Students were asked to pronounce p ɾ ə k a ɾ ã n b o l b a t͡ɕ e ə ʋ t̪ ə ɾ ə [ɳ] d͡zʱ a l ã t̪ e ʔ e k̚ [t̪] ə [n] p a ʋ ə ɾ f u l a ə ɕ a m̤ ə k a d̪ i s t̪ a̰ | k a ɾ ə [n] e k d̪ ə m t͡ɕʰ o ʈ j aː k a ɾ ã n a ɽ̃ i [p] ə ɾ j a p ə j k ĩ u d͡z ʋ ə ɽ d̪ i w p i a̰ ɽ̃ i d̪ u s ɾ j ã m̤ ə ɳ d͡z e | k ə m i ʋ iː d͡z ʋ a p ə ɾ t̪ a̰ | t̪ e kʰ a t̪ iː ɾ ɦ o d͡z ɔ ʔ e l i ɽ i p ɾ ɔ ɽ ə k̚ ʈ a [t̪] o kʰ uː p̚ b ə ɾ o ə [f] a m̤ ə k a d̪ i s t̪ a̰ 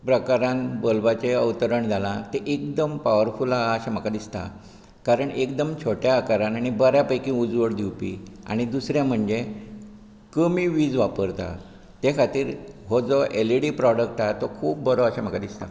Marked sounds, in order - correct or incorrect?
correct, incorrect: d̪, incorrect: m, incorrect: ɳ, incorrect: b, correct, incorrect: ɕ

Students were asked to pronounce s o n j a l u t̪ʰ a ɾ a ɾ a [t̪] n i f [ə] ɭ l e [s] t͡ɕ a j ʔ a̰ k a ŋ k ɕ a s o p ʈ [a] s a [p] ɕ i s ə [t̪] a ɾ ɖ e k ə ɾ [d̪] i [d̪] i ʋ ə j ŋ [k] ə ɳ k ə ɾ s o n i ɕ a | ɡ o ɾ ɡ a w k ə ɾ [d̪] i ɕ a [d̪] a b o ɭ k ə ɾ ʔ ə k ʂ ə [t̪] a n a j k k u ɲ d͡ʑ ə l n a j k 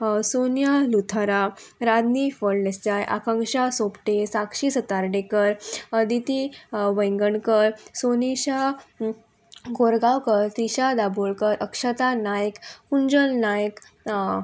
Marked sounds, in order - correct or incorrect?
incorrect: d̪, correct, correct, incorrect: e, incorrect: k, correct, correct, incorrect: t̪, incorrect: ɡ, incorrect: t̪, correct, correct

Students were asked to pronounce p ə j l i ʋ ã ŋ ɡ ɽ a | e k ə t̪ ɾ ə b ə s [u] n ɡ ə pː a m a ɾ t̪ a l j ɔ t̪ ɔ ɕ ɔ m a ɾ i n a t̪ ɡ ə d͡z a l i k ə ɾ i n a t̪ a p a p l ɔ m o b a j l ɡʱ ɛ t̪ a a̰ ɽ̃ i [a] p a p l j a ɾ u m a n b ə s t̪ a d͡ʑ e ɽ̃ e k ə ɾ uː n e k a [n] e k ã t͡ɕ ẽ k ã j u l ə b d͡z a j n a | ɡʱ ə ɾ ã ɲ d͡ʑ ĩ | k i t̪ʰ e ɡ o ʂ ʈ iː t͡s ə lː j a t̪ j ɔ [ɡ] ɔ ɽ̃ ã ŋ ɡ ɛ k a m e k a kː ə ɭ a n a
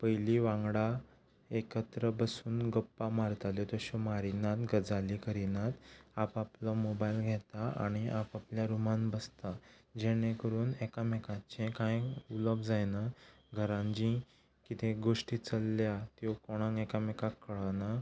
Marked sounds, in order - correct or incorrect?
incorrect: uː, correct, incorrect: m, incorrect: k

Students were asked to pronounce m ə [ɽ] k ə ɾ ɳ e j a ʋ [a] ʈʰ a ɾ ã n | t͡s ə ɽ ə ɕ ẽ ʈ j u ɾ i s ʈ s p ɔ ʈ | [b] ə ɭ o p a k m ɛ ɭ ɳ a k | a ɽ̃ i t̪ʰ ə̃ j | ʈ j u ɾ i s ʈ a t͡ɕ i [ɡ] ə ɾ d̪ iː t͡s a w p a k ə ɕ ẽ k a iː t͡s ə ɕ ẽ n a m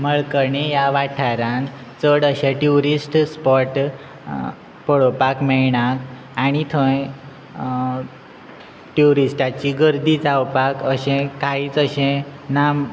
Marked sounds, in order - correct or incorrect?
incorrect: ɭ, correct, incorrect: p, correct

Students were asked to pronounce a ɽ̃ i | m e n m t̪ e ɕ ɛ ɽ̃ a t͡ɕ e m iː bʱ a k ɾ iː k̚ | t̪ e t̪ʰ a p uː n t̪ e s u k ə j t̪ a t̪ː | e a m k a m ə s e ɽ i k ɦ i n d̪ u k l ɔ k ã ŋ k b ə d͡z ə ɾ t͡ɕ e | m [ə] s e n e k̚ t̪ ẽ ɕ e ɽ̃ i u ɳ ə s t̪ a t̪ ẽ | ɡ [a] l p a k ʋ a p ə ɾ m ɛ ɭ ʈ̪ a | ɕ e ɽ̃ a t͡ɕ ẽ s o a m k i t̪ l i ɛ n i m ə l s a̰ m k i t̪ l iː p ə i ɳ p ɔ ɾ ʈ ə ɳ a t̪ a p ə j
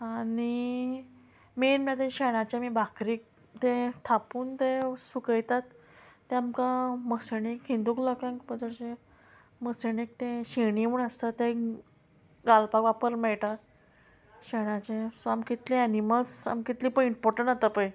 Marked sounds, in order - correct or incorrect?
correct, correct

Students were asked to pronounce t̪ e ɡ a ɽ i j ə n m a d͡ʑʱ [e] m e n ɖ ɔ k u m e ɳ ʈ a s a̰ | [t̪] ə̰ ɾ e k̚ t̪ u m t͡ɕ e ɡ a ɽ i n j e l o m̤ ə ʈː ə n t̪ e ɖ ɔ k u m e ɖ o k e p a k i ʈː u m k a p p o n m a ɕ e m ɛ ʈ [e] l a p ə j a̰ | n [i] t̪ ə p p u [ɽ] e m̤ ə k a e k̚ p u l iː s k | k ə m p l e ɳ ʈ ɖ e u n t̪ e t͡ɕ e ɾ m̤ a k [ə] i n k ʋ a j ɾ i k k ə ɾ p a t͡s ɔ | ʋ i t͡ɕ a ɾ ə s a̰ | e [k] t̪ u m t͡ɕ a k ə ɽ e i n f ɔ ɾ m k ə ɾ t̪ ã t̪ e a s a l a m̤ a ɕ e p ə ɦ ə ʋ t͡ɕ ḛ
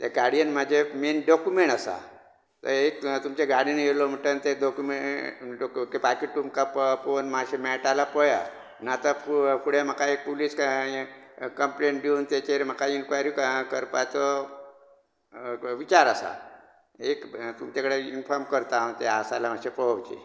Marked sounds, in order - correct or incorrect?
correct, correct, incorrect: a, incorrect: a, correct, incorrect: a, correct

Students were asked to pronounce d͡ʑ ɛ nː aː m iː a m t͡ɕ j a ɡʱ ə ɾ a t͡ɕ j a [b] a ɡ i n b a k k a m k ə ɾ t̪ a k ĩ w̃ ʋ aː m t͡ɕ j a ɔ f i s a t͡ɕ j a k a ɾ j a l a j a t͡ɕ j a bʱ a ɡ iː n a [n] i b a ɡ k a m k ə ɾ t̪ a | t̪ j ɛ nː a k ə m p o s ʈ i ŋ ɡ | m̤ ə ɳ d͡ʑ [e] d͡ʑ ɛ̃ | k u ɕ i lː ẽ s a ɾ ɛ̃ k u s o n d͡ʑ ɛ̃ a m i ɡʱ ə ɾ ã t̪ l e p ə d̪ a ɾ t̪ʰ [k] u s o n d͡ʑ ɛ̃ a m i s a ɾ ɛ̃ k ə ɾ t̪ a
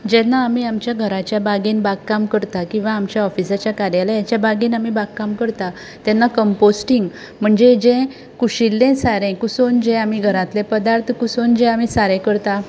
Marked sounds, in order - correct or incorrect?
correct, incorrect: m, correct, correct

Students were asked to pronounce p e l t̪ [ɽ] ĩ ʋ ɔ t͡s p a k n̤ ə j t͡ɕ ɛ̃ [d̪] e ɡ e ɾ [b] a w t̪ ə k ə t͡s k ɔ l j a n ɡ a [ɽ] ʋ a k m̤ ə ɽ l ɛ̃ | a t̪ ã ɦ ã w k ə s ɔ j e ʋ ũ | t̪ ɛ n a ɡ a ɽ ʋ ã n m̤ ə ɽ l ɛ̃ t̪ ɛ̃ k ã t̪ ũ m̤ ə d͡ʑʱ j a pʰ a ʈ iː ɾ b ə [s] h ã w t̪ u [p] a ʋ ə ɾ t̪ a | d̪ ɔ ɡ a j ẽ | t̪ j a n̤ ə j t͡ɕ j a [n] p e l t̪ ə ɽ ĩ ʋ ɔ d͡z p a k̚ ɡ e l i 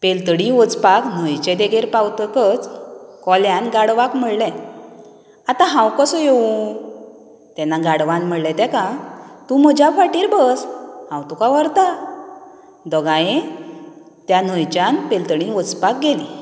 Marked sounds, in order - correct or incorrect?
correct, correct, incorrect: p, correct, correct, incorrect: k, correct

